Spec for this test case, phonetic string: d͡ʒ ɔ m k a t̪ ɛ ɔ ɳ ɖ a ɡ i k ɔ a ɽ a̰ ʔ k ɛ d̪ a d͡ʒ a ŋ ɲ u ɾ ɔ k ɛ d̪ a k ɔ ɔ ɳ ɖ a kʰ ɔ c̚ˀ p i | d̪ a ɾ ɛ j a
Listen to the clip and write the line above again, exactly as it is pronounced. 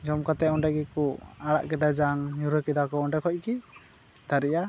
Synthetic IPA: d͡ʒ ɔ m k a t̪ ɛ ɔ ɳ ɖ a ɡ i k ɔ a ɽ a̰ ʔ k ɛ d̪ a d͡ʒ a ŋ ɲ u ɾ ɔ k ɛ d̪ a k ɔ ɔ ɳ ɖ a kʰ ɔ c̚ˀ k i | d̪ a ɾ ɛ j a

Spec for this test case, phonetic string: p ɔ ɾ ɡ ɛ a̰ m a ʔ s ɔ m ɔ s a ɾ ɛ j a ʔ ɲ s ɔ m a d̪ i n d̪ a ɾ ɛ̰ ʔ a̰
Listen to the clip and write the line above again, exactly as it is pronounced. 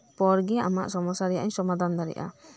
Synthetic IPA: p ɔ ɾ ɡ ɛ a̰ m a ʔ s ɔ m ɔ s a ɾ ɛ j a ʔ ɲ s ɔ m a d̪ a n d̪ a ɾ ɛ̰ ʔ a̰

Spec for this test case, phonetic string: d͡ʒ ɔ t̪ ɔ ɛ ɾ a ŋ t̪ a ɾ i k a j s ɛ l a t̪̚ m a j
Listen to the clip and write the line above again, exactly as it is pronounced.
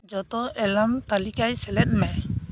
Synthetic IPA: d͡ʒ ɔ t̪ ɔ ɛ l a m t̪ a l i k a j s ɛ l ɛ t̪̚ m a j

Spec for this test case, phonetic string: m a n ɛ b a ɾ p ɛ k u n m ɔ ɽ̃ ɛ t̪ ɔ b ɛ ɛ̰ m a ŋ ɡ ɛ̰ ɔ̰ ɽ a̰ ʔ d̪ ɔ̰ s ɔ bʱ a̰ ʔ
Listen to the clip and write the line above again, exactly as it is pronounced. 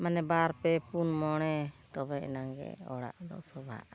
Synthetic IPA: m a n ɛ b a ɾ p ɛ p u n m ɔ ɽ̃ ɛ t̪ ɔ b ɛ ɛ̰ n a ŋ ɡ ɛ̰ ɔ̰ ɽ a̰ ʔ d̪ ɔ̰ s ɔ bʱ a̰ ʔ

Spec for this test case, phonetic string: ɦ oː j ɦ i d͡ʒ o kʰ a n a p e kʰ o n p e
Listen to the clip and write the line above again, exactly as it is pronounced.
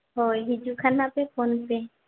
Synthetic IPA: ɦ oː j ɦ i d͡ʒ u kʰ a n a p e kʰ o n p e

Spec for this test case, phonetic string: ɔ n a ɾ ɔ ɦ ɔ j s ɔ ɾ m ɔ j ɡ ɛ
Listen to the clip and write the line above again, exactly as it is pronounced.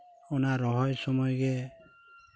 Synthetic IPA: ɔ n a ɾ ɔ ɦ ɔ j s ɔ m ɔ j ɡ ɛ

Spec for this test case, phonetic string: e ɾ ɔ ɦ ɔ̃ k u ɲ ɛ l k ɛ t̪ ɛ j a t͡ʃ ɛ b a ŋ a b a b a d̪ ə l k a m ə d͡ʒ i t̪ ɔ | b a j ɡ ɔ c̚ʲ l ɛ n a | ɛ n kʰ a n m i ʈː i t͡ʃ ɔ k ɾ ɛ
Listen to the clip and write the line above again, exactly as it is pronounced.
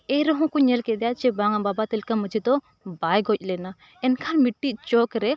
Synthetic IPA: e ɾ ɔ ɦ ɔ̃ k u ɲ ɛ l k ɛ d̪ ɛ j a t͡ʃ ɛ b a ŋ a b a b a t̪ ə l k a m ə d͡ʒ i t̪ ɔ | b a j ɡ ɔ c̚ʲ l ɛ n a | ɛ n kʰ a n m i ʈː i t͡ʃ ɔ k ɾ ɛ

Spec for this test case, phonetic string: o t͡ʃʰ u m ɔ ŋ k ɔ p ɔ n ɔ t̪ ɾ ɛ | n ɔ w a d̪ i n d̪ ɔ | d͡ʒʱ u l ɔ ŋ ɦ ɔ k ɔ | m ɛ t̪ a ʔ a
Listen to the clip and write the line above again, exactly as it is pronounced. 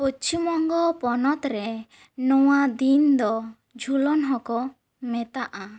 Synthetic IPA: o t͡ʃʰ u m ɔ ŋ ɡ ɔ p ɔ n ɔ t̪ ɾ ɛ | n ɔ w a d̪ i n d̪ ɔ | d͡ʒʱ u l ɔ n ɦ ɔ k ɔ | m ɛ t̪ a ʔ a

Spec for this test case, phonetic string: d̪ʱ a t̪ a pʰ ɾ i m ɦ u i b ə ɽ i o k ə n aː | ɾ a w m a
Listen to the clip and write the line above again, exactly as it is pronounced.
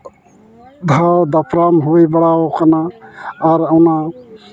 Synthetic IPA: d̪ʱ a d̪ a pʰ ɾ a m ɦ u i b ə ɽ a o k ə n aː | ɾ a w n a

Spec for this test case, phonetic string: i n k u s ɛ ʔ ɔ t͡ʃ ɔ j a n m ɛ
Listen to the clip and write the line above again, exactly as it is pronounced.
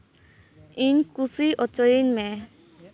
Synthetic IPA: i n k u s i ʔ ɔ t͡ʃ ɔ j i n m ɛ

